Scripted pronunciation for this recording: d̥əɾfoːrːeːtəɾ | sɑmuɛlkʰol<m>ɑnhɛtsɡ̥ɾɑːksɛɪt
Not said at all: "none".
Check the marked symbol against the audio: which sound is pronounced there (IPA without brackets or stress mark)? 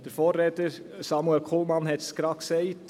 m